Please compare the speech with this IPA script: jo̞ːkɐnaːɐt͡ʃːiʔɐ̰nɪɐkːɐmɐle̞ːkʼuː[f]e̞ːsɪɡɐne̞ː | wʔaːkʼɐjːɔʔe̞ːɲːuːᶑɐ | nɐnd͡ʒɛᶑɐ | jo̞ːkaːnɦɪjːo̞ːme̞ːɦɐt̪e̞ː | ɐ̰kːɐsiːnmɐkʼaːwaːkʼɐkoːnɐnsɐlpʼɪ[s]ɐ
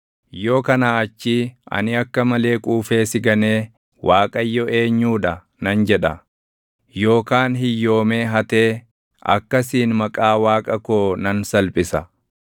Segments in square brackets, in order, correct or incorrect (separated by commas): correct, correct